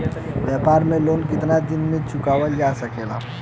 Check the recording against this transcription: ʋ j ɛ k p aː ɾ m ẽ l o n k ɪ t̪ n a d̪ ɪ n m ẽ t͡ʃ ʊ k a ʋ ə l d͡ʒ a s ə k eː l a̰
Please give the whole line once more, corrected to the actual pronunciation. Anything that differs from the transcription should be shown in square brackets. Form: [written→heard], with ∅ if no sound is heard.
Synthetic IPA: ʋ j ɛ [k→∅] p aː ɾ m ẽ l o n k ɪ t̪ n a d̪ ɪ n m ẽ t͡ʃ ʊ k a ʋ ə l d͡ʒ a s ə k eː l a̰